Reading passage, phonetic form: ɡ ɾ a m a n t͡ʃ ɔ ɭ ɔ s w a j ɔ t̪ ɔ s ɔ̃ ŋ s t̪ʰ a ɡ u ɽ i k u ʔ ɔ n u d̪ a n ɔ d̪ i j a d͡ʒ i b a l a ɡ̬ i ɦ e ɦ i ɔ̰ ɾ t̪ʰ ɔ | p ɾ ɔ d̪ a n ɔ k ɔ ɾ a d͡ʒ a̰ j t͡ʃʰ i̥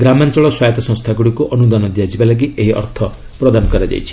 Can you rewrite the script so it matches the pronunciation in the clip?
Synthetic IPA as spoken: ɡ ɾ a m a n t͡ʃ ɔ ɭ ɔ s w a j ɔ t̪ ɔ s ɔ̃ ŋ s t̪ʰ a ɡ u ɽ i k u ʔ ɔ n u d̪ a n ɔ d̪ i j a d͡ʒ i b a l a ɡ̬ i e ɦ i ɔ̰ ɾ t̪ʰ ɔ | p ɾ ɔ d̪ a n ɔ k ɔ ɾ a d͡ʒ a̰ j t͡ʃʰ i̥